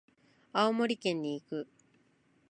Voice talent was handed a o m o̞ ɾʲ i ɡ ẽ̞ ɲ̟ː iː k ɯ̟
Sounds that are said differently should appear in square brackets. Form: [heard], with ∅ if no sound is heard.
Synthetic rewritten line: a o m o̞ ɾʲ i [k] ẽ̞ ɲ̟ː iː k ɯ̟